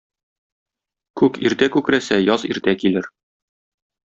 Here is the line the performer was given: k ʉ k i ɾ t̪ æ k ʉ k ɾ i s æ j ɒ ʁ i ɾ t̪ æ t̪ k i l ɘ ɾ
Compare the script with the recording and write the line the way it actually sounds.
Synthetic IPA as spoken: k ʉ k i ɾ t̪ æ k ʉ k ɾ æ s æ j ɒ z i ɾ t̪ æ k i l ɘ ɾ